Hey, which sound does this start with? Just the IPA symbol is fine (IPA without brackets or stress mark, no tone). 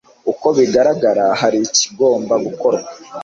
u